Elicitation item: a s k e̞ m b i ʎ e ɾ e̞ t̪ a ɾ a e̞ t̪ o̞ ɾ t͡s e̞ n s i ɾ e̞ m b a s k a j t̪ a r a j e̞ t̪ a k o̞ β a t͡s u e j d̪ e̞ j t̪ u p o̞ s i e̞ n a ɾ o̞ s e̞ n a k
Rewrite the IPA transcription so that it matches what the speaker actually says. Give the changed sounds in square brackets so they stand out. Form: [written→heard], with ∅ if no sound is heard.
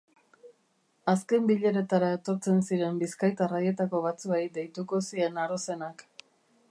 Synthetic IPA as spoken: a s k e̞ m b i ʎ e ɾ e̞ t̪ a ɾ a e̞ t̪ o̞ ɾ t͡s e̞ n s i ɾ e̞ m b [a→i] s k a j t̪ a r a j e̞ t̪ a k o̞ β a t͡s u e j d̪ e̞ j t̪ u [p→k] o̞ s i e̞ n a ɾ o̞ s e̞ n a k